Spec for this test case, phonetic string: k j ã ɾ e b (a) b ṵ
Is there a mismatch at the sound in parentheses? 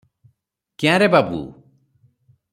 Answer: no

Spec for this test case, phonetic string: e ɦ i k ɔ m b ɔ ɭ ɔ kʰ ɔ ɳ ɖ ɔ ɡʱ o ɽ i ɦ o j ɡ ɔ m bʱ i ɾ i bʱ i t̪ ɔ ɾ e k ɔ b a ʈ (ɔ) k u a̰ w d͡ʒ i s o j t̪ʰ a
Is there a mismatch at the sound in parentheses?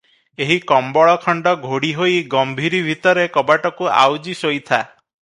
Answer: no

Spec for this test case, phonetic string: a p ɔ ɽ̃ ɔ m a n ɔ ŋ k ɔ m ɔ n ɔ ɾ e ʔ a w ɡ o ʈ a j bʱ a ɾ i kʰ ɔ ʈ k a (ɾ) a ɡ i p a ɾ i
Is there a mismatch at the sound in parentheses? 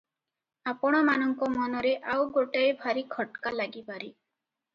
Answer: yes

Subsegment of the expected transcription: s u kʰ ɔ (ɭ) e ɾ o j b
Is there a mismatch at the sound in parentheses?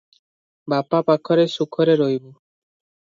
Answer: yes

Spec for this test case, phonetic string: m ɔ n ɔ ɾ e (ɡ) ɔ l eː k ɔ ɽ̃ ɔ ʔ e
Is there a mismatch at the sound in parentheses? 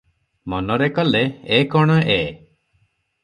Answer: yes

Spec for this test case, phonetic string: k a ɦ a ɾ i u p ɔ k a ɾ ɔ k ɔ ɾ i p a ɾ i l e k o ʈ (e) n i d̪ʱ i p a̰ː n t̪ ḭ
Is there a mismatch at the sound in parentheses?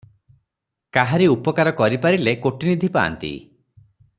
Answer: yes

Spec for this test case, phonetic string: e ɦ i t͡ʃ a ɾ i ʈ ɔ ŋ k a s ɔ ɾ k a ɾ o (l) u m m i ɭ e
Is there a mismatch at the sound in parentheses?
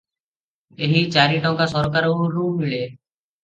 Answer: yes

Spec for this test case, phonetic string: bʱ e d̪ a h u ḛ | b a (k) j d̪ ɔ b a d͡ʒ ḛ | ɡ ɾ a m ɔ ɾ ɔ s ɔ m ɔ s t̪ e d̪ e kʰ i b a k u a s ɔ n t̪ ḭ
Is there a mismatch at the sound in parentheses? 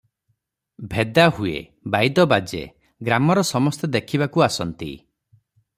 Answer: yes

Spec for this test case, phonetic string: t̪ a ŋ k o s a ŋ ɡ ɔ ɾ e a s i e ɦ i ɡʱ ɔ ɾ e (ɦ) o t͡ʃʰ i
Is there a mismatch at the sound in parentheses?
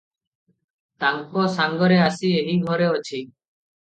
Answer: yes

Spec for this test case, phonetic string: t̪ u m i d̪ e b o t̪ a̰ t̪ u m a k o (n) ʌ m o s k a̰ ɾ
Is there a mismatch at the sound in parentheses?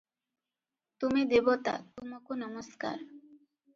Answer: no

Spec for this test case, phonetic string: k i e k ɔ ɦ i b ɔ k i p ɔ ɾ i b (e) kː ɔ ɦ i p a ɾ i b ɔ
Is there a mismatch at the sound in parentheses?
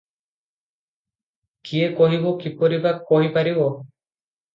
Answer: yes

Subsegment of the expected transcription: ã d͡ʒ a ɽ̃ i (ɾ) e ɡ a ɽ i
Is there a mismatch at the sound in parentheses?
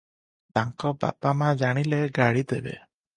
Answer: yes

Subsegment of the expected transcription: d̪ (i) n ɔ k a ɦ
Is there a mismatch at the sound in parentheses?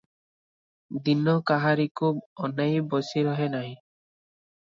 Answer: no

